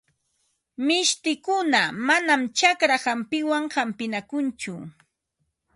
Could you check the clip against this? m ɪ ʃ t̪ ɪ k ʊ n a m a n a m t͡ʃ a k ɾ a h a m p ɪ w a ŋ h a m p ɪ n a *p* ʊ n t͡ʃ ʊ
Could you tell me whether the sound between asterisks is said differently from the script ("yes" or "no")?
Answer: yes